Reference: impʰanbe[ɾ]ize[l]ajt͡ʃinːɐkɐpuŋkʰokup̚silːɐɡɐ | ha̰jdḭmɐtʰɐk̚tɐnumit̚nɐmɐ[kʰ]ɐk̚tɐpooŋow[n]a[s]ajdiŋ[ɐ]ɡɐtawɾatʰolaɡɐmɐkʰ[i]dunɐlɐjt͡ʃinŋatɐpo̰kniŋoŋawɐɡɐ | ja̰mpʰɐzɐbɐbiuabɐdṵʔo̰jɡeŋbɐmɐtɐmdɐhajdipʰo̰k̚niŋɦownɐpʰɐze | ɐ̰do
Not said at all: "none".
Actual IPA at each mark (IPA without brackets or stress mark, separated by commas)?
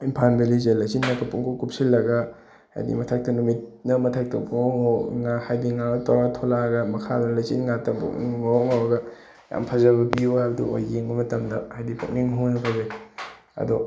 l, l, tʰ, ŋ, h, a, a